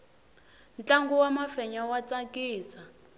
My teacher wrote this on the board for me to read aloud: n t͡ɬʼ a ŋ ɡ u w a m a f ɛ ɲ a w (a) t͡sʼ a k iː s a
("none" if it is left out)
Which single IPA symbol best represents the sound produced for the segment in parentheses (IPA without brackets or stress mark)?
a